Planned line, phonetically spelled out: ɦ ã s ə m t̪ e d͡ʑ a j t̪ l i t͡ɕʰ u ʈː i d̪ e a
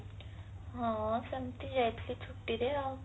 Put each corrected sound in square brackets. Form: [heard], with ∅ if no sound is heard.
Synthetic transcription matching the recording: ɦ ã s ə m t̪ [i] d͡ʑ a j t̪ l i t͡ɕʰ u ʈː i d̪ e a